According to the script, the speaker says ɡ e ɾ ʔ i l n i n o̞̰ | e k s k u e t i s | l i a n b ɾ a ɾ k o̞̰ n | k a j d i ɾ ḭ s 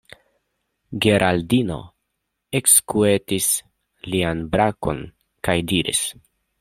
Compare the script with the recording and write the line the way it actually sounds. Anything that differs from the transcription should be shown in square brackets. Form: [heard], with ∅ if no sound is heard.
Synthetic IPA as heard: ɡ e ɾ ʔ [a] l [d] i n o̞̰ | e k s k u e t i s | l i a n b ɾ a [∅] k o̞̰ n | k a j d i ɾ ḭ s